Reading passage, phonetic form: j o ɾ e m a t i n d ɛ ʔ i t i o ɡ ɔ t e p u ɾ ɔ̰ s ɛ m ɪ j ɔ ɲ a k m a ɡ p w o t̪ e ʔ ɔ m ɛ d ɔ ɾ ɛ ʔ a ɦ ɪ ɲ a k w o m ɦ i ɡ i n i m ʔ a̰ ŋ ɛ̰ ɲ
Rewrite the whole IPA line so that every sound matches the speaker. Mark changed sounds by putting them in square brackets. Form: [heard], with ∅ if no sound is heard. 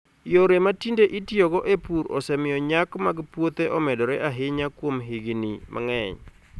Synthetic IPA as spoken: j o ɾ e m a t i n d [e] ʔ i t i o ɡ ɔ [ʔ] e p u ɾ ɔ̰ s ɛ m ɪ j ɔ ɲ a k m a ɡ p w o t̪ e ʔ ɔ m ɛ d ɔ ɾ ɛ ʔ a ɦ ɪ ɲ a k w o m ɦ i ɡ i n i m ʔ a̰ ŋ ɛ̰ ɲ